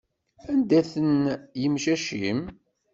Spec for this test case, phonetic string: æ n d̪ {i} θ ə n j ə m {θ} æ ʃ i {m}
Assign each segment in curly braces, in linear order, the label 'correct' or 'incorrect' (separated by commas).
incorrect, incorrect, correct